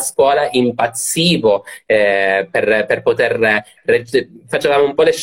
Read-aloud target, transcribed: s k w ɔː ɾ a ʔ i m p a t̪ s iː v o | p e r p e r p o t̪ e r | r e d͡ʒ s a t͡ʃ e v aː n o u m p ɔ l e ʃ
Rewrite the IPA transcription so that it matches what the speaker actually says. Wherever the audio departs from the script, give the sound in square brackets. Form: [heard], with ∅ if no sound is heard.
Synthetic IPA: s k w ɔː [l] a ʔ i m p a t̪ s iː v o | p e r p e r p o t̪ e r | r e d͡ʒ [f] a t͡ʃ e v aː [m] o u m p ɔ l e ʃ